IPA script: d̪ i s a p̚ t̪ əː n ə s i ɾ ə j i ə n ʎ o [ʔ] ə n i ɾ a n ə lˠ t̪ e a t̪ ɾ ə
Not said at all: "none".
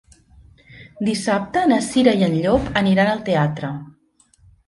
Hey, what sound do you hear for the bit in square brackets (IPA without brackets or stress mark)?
p